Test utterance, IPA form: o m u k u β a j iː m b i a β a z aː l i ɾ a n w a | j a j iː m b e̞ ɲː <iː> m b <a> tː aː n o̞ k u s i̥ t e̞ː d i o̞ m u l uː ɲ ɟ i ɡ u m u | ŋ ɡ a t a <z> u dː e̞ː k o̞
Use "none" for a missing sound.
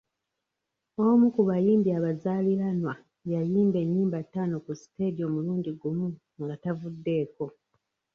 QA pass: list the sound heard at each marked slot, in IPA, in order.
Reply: iː, a, v

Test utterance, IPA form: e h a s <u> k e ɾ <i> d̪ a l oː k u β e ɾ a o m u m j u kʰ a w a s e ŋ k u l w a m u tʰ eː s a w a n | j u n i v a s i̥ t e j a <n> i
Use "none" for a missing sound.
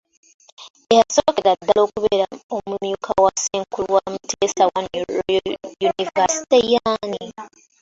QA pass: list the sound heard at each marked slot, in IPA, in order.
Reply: o, a, n

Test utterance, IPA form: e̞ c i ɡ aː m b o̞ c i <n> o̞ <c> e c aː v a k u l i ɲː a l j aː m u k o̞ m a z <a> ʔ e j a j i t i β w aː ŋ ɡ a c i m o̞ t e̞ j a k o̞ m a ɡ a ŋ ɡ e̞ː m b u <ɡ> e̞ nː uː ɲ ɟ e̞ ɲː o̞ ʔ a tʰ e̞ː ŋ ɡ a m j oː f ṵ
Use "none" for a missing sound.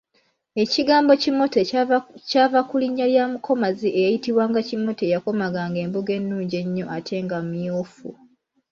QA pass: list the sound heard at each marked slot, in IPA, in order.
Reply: m, t, i, ɡ

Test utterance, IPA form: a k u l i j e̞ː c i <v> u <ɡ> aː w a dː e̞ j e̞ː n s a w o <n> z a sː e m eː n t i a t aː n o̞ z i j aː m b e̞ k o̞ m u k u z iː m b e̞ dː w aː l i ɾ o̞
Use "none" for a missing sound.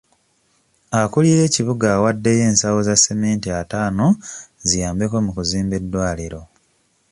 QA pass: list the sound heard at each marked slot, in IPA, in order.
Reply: β, ɡ, none

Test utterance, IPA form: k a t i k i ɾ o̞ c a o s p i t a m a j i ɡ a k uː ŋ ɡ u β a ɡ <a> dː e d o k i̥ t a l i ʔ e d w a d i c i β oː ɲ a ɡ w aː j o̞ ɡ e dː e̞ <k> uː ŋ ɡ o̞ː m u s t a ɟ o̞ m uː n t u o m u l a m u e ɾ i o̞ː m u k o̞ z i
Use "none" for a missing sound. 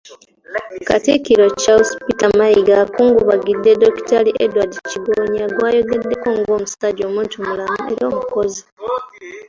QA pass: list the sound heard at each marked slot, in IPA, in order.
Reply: i, k

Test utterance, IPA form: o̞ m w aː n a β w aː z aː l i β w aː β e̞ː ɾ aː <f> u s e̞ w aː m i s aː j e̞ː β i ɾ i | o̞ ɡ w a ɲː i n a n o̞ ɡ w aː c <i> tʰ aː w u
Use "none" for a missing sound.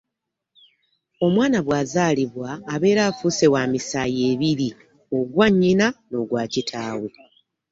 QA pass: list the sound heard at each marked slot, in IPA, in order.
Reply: f, i

